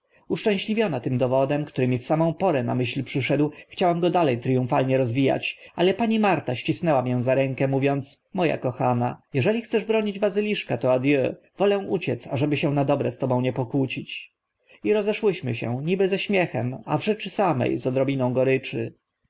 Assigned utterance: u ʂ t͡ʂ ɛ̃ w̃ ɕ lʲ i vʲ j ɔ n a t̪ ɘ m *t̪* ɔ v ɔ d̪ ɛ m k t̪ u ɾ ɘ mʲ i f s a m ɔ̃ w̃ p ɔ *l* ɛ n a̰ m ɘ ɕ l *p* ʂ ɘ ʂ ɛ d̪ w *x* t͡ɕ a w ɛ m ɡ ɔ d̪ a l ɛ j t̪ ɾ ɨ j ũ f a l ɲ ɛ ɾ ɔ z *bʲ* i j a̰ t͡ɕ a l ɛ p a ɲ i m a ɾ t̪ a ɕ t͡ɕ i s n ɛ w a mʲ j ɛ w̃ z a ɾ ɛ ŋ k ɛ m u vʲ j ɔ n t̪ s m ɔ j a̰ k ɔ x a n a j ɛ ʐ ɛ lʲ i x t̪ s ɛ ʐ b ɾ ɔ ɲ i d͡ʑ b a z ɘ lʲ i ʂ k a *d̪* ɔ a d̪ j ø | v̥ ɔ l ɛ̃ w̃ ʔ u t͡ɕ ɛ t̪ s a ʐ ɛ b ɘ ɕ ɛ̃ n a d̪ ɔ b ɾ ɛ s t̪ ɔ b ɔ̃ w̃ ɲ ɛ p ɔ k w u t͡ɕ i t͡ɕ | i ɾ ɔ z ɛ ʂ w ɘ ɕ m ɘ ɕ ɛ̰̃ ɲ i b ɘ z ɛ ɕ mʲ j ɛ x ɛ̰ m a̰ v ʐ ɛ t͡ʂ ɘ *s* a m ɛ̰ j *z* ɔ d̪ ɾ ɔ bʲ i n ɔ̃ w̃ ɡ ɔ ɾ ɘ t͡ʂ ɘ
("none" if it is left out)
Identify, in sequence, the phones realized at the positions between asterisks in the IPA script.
d̪, ɾ, p, x, vʲ, t̪, s, z

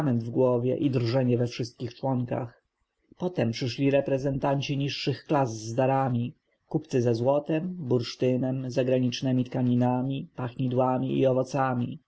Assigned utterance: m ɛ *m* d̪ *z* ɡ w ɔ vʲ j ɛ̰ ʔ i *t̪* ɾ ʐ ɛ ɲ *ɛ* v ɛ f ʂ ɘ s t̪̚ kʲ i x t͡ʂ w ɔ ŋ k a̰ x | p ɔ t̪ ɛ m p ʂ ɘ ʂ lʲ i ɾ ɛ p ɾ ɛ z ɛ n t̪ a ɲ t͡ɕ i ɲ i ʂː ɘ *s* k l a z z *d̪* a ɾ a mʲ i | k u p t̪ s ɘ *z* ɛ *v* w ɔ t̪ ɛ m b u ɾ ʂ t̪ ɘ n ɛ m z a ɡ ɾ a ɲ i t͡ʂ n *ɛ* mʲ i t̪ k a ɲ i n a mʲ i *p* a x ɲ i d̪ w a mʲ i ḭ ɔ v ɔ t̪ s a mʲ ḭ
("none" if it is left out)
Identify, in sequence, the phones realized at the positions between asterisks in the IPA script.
n, v, d̪, ɛ, x, d̪, z, z, ɛ, p

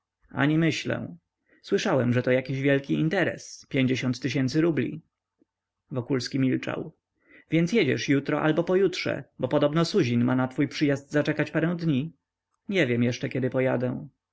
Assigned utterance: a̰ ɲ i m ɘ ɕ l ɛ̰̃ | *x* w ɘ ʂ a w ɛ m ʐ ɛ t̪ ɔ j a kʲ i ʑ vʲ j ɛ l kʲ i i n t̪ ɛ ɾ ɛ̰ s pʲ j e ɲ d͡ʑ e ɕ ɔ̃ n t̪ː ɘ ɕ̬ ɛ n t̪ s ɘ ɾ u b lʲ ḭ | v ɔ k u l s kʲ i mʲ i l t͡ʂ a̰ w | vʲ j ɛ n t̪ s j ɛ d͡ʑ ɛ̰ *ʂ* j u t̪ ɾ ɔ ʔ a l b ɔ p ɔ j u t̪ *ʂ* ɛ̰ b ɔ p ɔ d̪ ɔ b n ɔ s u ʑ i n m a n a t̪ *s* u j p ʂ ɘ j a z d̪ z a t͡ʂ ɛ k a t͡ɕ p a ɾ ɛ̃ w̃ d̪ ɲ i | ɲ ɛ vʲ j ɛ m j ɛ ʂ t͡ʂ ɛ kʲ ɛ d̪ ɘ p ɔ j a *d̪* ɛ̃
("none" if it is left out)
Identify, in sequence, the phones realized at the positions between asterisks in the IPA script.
s, ʂ, ʂ, f, d̪

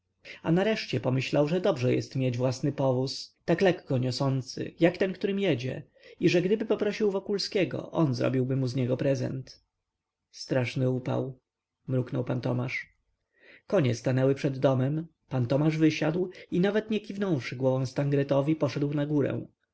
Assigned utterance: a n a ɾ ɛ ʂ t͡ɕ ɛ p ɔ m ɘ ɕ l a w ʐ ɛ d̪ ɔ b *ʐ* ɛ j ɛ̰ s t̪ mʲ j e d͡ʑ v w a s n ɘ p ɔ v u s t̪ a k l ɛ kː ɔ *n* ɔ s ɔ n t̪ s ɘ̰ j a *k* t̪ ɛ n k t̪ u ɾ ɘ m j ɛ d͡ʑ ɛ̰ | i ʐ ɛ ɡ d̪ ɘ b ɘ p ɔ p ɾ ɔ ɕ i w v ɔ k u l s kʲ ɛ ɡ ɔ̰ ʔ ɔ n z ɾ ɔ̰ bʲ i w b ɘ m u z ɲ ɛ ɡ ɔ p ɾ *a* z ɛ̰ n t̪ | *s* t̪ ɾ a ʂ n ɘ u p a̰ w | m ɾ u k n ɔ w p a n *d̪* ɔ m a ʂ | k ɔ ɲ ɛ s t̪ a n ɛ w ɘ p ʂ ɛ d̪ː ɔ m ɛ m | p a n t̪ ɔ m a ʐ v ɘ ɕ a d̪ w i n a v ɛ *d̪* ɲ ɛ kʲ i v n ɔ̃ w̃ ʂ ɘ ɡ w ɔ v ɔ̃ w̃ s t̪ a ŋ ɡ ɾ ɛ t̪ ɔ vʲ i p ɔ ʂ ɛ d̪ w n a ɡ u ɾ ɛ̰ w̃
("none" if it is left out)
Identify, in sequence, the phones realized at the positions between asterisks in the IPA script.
ʐ, ɲ, k, ɛ, s, t̪, t̪

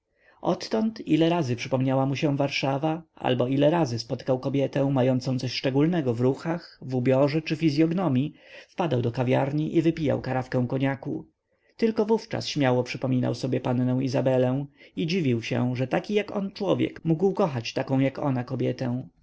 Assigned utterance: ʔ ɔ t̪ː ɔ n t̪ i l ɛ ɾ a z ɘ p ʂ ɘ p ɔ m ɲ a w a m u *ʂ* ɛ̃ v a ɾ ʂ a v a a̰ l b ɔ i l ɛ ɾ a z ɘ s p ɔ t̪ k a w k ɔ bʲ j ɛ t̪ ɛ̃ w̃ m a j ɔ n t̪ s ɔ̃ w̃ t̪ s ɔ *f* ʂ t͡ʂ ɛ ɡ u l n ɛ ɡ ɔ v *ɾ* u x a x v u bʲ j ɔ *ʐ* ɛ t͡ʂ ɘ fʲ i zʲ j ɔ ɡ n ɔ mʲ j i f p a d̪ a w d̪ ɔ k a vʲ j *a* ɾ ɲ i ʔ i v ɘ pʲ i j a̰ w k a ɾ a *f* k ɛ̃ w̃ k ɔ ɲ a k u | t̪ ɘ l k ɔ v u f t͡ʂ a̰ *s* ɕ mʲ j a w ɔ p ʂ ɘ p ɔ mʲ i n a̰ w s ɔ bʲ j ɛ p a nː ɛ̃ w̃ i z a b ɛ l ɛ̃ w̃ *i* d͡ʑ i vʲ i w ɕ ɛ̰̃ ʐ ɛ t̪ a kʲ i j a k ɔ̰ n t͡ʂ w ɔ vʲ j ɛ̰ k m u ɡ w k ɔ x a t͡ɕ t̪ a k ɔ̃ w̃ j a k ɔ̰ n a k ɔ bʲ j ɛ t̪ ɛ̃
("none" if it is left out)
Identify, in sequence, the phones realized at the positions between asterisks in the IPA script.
ɕ, ɕ, ɾ, ʐ, a, f, s, i

